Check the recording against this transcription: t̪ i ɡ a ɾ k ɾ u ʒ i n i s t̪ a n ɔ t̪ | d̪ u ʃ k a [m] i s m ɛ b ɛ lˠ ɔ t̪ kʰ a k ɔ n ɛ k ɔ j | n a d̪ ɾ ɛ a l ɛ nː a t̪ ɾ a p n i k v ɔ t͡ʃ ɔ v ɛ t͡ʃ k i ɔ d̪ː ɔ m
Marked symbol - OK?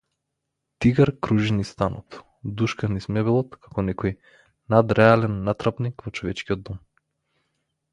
no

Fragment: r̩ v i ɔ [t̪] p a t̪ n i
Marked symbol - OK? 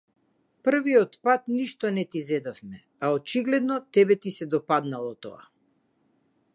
yes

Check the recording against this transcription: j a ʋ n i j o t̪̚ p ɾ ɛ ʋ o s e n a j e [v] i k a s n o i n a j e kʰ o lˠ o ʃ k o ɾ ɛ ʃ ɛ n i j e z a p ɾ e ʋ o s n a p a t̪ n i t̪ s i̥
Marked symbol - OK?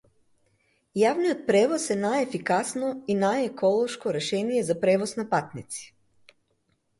no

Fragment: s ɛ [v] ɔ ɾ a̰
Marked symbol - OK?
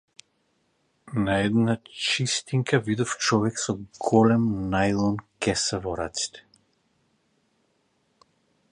yes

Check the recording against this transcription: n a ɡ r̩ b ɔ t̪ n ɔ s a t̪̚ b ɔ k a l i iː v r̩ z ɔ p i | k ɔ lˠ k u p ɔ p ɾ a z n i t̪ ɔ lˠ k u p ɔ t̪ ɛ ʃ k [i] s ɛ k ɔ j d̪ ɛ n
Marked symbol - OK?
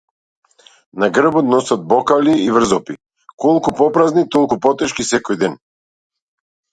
yes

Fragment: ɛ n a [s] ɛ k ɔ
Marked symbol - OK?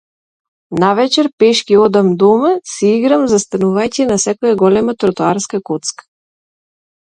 yes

